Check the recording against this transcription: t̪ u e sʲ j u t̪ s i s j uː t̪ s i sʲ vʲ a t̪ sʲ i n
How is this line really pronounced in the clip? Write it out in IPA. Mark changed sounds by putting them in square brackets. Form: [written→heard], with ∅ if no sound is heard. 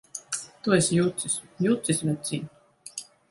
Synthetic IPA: t̪ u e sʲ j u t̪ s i s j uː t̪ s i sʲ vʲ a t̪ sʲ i n